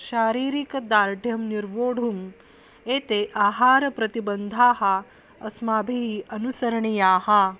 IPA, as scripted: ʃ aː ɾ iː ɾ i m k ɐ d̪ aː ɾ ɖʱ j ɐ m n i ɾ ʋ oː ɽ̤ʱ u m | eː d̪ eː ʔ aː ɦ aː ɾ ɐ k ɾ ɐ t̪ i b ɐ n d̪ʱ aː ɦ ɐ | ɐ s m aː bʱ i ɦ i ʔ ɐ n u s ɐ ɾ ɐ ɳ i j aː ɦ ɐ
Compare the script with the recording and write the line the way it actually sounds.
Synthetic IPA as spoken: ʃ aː ɾ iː ɾ i k ɐ d̪ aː ɾ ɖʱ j ɐ m n i ɾ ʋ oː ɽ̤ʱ u m | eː t̪ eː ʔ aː ɦ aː ɾ ɐ p ɾ ɐ t̪ i b ɐ n d̪ʱ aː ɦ ɐ | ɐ s m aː bʱ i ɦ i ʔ ɐ n u s ɐ ɾ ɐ ɳ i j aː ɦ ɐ

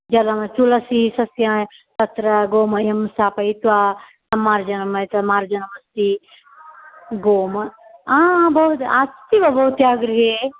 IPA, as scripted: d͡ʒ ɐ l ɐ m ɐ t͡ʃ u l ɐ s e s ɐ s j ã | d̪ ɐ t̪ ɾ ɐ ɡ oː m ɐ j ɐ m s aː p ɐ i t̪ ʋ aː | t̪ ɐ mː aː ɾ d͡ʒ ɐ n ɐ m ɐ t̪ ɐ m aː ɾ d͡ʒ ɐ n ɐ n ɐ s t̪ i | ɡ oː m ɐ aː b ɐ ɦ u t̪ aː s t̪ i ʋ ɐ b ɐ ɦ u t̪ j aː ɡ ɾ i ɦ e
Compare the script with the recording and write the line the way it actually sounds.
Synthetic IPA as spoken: d͡ʒ ɐ l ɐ m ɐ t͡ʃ u l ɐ s i s ɐ s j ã | t̪ ɐ t̪ ɾ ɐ ɡ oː m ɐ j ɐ m s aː p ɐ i t̪ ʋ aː | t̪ ɐ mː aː ɾ d͡ʒ ɐ n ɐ m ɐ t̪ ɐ m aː ɾ d͡ʒ ɐ n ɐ m ɐ s t̪ i | ɡ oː m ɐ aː b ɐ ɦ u t̪ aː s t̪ i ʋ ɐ b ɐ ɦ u t̪ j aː ɡ ɾ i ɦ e

